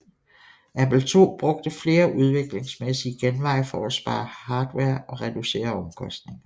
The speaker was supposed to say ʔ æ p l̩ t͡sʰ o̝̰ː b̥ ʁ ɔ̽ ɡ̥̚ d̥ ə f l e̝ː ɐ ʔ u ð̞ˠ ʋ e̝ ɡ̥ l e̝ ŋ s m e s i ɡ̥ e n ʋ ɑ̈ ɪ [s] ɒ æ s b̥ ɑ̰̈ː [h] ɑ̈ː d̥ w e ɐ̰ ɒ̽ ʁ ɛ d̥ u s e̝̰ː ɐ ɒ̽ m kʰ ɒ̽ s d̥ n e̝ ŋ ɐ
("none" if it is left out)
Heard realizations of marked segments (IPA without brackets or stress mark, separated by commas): f, h